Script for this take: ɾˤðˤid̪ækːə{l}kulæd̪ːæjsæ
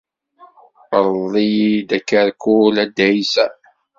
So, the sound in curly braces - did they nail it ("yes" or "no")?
no